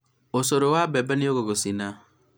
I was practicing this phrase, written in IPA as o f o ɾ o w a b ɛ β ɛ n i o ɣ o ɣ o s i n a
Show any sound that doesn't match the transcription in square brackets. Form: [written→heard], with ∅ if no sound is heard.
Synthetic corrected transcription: o [f→s] o ɾ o w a b ɛ [β→b] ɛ n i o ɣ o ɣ o s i n a